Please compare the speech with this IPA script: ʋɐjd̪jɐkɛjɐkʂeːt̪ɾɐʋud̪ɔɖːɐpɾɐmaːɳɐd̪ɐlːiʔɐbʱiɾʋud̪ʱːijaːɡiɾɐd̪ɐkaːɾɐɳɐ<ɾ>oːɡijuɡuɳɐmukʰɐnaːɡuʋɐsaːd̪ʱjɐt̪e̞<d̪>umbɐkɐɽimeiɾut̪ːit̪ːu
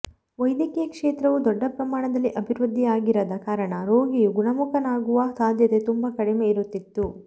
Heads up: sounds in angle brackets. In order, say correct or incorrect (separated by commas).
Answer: correct, incorrect